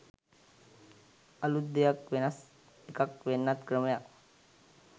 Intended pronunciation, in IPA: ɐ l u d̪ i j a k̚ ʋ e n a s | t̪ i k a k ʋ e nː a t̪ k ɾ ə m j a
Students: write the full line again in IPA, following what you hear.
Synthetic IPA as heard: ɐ l u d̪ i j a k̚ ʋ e n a s | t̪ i k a k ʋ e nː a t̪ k ɾ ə m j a